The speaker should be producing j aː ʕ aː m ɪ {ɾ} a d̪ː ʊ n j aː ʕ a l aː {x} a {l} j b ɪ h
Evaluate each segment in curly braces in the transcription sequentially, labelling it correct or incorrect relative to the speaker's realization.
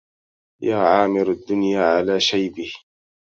correct, incorrect, incorrect

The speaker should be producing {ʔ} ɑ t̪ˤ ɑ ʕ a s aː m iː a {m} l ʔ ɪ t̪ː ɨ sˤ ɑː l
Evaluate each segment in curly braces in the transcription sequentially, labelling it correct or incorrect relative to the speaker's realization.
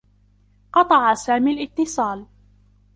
incorrect, incorrect

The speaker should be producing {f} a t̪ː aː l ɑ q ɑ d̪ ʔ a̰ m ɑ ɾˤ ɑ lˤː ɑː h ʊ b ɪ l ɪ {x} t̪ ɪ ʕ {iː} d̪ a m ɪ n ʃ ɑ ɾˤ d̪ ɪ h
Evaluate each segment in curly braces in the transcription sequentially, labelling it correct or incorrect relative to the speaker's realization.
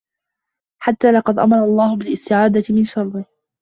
incorrect, incorrect, incorrect

